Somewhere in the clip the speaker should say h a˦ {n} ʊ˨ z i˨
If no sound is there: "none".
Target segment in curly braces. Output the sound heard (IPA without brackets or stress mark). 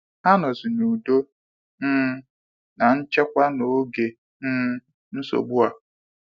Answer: n